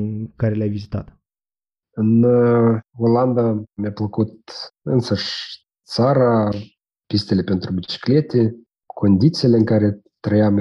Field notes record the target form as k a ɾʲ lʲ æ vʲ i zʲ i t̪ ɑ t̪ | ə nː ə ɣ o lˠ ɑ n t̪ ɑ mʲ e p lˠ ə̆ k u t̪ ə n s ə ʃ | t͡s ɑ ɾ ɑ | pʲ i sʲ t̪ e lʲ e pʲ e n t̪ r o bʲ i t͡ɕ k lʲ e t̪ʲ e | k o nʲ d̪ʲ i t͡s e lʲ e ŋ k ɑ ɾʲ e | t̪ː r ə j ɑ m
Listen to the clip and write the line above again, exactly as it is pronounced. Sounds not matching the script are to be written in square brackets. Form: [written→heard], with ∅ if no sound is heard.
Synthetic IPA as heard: k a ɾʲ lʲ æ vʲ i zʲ i t̪ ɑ t̪ | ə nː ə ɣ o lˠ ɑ n [t̪→d̪] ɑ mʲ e p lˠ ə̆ k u t̪ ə n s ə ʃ | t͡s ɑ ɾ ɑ | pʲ i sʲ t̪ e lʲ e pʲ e n t̪ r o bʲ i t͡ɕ k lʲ e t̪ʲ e | k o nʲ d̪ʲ i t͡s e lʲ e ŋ k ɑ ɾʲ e | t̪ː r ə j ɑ m